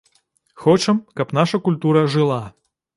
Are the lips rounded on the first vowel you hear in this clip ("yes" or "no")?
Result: yes